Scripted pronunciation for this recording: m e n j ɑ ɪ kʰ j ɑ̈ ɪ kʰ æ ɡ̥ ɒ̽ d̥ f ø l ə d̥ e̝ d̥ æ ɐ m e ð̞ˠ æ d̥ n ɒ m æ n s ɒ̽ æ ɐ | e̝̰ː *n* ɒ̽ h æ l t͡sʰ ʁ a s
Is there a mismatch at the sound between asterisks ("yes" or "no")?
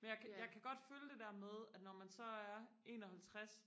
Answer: no